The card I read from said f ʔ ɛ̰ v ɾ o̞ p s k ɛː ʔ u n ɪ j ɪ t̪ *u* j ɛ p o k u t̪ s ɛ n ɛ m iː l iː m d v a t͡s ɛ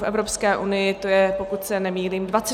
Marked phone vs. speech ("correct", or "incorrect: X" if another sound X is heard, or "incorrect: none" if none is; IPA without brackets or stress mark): incorrect: o